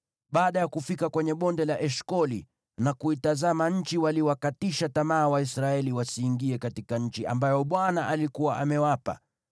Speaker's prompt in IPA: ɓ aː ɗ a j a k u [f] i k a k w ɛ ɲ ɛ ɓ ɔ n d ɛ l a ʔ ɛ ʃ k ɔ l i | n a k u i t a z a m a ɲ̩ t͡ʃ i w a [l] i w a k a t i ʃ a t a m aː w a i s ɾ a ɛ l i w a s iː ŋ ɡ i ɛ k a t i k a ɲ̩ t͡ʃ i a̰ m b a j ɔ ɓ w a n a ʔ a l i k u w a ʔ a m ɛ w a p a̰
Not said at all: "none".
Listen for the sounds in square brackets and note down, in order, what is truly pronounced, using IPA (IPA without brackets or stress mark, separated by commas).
f, l